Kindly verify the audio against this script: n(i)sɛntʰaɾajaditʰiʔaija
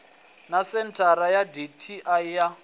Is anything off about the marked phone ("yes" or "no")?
yes